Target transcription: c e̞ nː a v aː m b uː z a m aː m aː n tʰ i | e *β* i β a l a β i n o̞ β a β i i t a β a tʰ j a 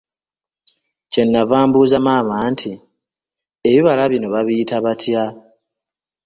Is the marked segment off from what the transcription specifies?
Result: no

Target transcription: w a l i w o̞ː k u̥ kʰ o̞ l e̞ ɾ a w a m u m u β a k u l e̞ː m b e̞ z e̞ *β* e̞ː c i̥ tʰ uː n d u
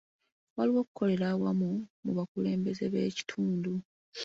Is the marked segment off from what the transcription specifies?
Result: no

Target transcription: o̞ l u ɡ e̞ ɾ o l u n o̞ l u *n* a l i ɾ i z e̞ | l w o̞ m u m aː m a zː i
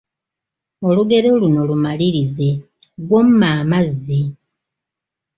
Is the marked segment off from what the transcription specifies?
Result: yes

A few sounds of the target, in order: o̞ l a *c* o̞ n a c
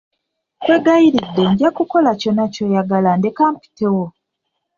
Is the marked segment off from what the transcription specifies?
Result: no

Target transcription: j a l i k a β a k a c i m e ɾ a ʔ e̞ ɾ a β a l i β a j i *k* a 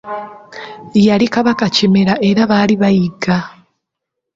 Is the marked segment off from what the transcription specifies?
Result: yes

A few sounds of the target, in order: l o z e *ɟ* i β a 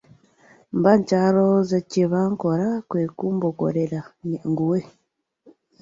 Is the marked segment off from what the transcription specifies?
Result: yes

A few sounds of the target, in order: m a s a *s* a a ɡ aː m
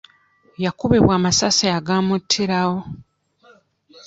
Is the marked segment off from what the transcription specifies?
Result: no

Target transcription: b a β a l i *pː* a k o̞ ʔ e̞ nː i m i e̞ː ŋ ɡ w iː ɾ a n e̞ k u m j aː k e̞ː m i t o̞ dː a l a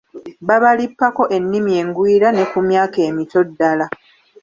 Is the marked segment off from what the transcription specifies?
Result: no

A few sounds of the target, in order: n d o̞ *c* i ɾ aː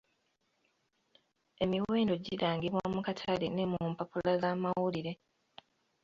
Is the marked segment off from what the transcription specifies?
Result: yes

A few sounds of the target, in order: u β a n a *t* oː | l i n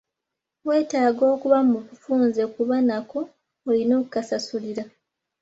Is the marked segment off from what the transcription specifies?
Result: yes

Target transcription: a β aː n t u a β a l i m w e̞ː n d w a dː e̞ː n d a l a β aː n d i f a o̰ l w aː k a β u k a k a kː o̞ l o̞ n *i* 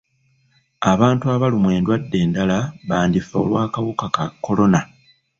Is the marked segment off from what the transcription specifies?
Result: yes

